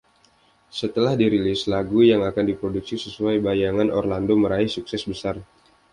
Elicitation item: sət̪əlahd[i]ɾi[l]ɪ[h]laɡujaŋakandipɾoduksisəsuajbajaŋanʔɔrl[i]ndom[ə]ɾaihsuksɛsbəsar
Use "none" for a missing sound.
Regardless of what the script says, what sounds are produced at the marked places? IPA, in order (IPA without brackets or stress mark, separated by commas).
i, l, s, a, ə